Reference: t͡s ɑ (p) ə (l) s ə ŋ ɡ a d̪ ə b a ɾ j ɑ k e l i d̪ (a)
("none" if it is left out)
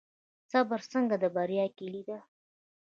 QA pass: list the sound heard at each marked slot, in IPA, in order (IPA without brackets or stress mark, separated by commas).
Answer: b, ɾ, a